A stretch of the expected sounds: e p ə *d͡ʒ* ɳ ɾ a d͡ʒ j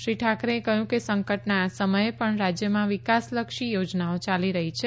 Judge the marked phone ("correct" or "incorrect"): incorrect